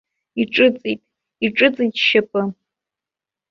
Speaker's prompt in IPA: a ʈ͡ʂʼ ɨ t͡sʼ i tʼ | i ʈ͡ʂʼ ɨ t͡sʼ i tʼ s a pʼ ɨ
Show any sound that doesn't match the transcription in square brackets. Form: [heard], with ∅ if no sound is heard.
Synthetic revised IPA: [i] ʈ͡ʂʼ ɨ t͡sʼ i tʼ | i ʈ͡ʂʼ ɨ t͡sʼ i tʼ [ʃ] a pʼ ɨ